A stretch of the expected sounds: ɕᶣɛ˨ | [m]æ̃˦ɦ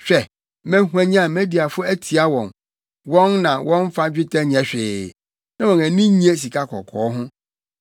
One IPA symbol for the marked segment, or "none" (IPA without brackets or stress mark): m